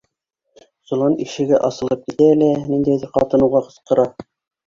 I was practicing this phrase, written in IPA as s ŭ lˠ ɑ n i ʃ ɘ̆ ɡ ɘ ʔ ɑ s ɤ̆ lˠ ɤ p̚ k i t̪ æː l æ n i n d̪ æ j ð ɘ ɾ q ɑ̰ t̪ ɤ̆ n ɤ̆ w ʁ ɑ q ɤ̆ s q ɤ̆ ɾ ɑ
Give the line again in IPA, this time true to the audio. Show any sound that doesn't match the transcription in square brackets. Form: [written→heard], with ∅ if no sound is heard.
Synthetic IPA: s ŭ lˠ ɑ n i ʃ ɘ̆ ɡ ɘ ʔ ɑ s ɤ̆ lˠ ɤ p̚ k i t̪ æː l æ n i n d̪ æ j ð ɘ ɾ q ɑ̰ t̪ ɤ̆ n ɤ̆ w ʁ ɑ q ɤ̆ s q ɤ̆ ɾ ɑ